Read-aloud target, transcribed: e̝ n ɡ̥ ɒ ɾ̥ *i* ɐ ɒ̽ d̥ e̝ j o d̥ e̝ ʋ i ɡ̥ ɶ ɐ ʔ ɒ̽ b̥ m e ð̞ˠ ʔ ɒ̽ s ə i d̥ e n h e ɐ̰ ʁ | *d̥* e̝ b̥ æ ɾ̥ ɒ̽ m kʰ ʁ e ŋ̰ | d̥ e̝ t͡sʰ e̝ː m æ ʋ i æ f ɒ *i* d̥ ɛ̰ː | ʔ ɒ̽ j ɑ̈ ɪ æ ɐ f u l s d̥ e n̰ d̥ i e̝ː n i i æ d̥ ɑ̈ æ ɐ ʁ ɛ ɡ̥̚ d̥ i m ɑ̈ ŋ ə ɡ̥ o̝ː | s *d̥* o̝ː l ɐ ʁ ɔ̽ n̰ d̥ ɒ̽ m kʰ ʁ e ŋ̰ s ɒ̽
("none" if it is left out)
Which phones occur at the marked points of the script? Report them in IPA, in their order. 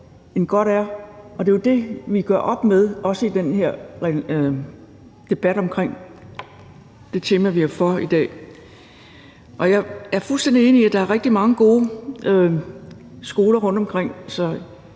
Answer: æ, d̥, i, ɡ̥

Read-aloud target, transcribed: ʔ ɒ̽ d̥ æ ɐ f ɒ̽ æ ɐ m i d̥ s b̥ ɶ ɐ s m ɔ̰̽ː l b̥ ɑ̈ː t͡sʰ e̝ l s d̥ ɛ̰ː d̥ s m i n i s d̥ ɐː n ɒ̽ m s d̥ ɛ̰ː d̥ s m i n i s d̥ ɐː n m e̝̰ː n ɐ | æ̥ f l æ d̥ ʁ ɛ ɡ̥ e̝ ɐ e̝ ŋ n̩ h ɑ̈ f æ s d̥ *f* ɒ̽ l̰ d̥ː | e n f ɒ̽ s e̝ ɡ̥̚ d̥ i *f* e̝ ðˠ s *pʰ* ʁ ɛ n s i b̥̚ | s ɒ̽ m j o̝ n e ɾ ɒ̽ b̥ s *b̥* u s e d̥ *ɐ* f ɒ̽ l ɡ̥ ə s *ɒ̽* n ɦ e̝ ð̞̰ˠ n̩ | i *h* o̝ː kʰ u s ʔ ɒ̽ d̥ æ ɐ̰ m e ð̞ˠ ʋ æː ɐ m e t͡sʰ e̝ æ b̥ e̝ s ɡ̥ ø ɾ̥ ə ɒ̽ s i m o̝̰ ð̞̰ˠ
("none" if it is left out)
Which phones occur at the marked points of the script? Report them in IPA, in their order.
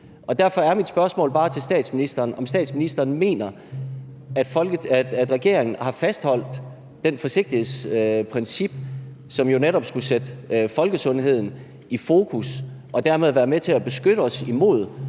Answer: h, h, pʰ, ɡ̥, ə, ɔ̽, f

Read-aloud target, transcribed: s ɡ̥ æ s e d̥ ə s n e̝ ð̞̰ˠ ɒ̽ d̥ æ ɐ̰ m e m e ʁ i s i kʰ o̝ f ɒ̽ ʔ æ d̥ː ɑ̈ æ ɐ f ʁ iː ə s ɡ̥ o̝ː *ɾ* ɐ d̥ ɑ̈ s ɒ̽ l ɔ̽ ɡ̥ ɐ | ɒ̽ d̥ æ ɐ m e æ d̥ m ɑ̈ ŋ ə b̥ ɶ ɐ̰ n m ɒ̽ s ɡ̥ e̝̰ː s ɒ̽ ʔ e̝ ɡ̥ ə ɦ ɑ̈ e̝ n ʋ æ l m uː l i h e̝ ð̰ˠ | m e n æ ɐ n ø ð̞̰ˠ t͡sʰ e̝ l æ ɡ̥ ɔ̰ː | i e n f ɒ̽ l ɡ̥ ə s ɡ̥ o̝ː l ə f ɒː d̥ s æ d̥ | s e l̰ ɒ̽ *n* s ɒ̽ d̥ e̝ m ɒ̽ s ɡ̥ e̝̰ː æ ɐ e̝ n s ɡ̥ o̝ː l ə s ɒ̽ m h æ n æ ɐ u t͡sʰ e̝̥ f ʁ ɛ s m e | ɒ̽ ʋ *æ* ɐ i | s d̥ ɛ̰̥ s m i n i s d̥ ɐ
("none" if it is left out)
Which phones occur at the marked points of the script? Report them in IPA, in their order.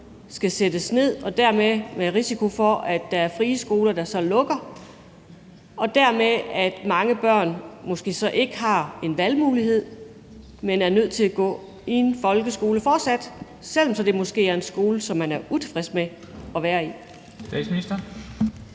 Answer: l, m, æː

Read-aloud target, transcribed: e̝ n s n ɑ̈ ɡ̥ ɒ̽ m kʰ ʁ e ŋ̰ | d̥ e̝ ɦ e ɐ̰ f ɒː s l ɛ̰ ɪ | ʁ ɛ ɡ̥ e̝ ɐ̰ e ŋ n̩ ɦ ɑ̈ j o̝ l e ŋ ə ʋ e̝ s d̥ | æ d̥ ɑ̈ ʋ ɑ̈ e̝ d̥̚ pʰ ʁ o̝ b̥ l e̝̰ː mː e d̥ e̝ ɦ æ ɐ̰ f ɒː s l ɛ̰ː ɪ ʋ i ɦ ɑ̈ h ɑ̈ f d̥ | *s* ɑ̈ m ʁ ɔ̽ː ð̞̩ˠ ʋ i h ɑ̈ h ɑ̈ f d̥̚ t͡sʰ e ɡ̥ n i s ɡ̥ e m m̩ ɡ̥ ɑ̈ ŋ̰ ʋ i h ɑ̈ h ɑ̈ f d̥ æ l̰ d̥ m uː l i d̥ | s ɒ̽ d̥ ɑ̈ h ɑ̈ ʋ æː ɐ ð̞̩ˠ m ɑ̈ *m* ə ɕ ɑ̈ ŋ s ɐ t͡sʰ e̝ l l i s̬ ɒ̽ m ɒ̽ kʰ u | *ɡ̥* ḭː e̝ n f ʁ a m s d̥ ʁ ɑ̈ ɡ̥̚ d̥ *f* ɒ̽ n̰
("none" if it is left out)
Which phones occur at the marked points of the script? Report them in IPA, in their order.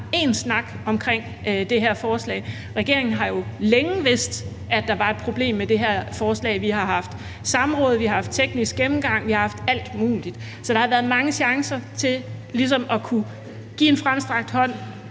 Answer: s, ŋ, ɡ̥, h

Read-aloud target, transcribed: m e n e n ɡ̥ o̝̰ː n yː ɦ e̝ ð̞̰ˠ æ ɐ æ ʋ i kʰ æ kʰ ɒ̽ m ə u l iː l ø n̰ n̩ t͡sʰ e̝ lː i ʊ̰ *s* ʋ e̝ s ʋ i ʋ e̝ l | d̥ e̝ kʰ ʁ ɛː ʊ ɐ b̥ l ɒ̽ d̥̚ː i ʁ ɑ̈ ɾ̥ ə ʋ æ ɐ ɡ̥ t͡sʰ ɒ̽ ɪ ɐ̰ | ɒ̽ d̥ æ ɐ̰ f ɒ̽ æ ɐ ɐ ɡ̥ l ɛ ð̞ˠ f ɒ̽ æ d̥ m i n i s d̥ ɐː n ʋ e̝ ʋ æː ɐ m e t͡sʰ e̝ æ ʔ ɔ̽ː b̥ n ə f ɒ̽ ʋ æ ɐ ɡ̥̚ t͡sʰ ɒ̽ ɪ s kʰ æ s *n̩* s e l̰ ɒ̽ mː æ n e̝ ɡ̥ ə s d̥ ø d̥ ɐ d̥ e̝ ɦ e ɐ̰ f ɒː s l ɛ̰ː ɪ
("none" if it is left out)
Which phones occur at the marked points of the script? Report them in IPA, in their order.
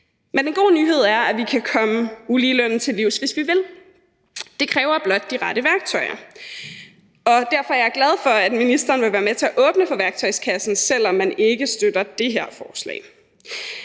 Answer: s, n̩

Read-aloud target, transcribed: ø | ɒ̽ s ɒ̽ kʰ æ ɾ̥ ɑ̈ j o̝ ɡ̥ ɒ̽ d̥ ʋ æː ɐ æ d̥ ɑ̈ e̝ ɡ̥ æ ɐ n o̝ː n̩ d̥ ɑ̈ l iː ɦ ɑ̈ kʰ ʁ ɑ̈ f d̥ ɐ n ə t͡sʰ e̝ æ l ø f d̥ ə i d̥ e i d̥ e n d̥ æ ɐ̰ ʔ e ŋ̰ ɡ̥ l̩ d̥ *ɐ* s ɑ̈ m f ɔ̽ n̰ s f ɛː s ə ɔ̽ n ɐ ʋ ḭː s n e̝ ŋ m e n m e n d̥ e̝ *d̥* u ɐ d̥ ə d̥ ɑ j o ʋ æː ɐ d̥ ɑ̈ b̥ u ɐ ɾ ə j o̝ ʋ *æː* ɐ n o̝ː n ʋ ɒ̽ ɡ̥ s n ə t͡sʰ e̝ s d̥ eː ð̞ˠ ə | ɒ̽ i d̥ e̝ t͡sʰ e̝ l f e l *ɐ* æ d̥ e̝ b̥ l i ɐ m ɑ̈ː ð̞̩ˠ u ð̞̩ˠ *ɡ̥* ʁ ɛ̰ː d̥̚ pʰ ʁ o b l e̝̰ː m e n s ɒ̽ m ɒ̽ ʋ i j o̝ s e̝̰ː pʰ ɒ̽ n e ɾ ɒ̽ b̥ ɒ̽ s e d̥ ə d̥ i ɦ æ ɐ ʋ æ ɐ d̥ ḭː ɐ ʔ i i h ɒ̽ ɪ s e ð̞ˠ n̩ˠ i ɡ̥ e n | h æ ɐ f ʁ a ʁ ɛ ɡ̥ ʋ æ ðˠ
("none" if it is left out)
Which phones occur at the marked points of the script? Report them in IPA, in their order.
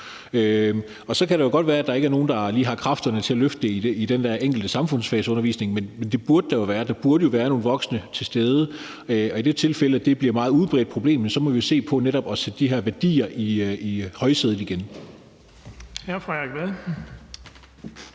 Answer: ə, b̥, æː, ə, b̥

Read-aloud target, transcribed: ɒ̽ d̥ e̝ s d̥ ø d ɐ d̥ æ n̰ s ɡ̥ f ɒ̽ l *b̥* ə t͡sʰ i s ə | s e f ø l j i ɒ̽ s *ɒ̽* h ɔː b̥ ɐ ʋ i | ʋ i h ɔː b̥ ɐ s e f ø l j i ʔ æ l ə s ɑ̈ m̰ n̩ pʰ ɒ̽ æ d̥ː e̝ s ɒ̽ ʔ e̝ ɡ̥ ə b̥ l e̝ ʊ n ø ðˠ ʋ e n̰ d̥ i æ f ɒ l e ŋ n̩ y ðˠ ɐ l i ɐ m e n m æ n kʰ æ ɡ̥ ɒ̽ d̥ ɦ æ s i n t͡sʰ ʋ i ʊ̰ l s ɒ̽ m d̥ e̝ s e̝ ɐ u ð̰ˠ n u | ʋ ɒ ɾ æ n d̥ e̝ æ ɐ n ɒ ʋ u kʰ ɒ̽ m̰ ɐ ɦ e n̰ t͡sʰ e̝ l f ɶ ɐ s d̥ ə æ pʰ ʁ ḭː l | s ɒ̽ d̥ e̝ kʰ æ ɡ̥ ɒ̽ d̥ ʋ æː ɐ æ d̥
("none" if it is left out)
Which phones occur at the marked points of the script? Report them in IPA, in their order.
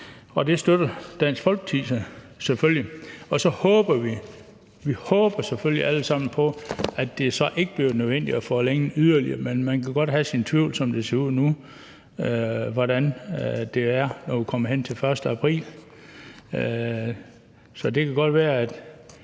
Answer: ɡ̥, ɒ̽

